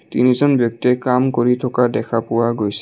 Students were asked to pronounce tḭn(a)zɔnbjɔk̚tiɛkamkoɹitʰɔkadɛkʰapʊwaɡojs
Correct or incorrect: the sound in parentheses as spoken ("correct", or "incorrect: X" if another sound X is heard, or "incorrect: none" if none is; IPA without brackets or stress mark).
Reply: incorrect: i